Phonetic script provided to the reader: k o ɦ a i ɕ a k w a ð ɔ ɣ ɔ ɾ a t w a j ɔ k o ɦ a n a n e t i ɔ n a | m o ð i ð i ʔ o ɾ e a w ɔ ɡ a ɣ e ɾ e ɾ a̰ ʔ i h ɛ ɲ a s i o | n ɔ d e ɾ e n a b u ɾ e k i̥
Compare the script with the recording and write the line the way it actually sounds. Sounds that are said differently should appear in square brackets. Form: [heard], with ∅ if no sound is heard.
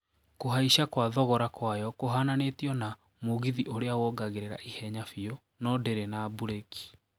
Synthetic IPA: k o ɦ a i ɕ a k w a ð ɔ ɣ ɔ ɾ a [k] w a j ɔ k o ɦ a n a n e t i ɔ n a | m o [ɣ] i ð i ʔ o ɾ e a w ɔ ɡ a ɣ e ɾ e ɾ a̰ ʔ i h ɛ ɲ a [f] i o | n ɔ d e ɾ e n a b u ɾ e k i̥